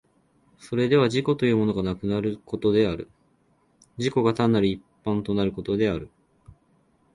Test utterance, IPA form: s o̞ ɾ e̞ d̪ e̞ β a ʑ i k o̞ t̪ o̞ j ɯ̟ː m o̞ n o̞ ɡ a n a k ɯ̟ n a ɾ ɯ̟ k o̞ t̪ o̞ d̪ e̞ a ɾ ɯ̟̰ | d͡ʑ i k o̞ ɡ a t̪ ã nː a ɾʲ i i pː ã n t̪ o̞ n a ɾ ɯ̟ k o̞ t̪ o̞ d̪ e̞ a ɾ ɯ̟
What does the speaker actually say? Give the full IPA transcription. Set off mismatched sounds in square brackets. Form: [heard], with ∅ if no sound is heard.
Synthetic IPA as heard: s o̞ ɾ e̞ d̪ e̞ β a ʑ i k o̞ t̪ o̞ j ɯ̟ː m o̞ n o̞ ɡ a n a k ɯ̟ n a ɾ ɯ̟ k o̞ t̪ o̞ d̪ e̞ a ɾ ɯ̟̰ | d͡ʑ i k o̞ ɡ a t̪ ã nː a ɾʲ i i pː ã n t̪ o̞ n a ɾ ɯ̟ k o̞ t̪ o̞ d̪ e̞ a ɾ ɯ̟